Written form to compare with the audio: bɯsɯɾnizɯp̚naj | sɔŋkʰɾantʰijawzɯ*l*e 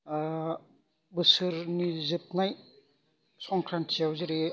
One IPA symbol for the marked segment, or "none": ɾ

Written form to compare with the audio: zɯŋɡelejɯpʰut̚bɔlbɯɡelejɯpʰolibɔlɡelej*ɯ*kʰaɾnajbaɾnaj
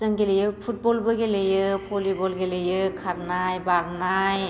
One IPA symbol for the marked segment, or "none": ɯ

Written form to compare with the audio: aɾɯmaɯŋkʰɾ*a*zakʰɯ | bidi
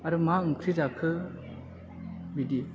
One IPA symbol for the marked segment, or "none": i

